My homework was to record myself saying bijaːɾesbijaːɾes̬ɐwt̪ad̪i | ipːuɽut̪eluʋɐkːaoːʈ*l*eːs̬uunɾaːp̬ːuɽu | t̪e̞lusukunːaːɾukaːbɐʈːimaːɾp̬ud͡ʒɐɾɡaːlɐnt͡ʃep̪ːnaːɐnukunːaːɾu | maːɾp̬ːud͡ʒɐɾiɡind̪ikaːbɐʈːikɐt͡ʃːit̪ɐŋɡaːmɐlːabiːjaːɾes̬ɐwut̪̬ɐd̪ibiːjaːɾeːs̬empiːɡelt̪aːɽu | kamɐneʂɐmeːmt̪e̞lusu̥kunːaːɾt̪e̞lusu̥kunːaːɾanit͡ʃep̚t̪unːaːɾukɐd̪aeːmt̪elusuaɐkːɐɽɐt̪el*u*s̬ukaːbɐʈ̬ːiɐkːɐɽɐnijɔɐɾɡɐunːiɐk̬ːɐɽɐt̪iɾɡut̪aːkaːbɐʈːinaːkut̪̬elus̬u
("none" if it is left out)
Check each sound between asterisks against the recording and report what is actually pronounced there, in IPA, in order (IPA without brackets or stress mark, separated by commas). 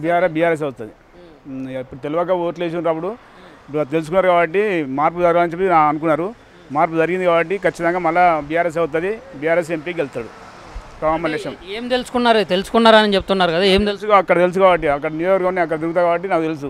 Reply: l, u